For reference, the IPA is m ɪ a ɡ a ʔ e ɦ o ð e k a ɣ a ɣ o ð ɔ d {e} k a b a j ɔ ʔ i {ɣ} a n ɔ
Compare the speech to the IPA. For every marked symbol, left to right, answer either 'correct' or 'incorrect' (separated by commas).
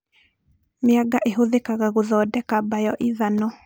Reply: incorrect, incorrect